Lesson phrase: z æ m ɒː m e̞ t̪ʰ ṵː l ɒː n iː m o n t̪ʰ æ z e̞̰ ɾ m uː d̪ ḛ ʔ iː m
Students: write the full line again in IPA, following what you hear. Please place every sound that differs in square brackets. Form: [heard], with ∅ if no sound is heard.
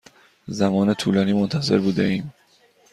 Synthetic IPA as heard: z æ m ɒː [n] e̞ t̪ʰ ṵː l ɒː n iː m o n t̪ʰ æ z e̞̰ ɾ [b] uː d̪ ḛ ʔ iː m